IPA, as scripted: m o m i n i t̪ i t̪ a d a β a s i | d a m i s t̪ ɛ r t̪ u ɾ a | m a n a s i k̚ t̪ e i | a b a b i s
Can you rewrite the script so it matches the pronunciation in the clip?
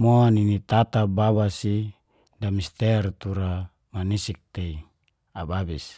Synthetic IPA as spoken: m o n i n i t̪ a t̪ a b a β a s i | d a m i s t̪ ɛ r t̪ u ɾ a | m a n i s i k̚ t̪ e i | a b a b i s